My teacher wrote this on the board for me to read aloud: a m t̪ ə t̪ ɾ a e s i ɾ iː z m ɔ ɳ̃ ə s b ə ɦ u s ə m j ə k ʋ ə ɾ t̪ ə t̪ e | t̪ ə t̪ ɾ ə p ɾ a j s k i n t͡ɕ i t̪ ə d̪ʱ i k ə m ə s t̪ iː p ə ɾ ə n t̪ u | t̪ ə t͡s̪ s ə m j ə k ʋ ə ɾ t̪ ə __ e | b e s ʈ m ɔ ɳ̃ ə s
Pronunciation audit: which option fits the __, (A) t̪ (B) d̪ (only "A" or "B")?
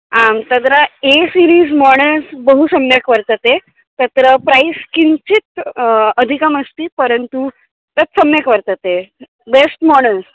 A